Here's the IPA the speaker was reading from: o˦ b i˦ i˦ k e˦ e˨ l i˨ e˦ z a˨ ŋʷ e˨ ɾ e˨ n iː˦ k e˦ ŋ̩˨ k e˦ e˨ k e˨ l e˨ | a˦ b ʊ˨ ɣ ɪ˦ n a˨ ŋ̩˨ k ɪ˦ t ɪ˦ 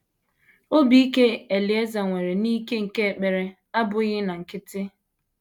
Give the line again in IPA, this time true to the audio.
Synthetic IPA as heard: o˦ b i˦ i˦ k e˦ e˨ l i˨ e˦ z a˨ ŋʷ e˨ ɾ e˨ n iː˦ k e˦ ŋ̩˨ k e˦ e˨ k͡p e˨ ɾ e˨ | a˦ b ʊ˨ ɣ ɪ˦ n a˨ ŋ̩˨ k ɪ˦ t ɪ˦